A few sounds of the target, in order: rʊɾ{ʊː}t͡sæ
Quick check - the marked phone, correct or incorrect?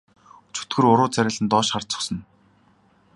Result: correct